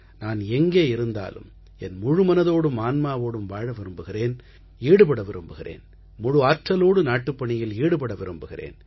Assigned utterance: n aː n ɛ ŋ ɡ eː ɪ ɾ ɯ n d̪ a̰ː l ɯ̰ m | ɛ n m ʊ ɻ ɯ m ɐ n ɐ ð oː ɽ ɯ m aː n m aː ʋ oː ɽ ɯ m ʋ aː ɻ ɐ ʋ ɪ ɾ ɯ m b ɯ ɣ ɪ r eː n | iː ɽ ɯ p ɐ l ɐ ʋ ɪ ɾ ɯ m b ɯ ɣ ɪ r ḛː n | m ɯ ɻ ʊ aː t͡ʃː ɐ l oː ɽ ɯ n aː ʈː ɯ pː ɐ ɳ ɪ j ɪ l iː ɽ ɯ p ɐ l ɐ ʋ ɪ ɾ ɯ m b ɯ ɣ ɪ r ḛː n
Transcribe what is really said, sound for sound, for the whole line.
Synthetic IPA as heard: n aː n ɛ ŋ ɡ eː ɪ ɾ ɯ n d̪ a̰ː l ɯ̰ m | ɛ n m ʊ ɻ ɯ m ɐ n ɐ ð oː ɽ ɯ m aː n m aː ʋ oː ɽ ɯ m ʋ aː ɻ ɐ ʋ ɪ ɾ ɯ m b ɯ ɣ ɪ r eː n | iː ɽ ɯ p ɐ ɽ ɐ ʋ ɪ ɾ ɯ m b ɯ ɣ ɪ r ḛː n | m ʊ ɻ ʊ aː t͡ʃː ɐ l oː ɽ ɯ n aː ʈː ɯ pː ɐ ɳ ɪ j ɪ l iː ɽ ɯ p ɐ ɽ ɐ ʋ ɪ ɾ ɯ m b ɯ ɣ ɪ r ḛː n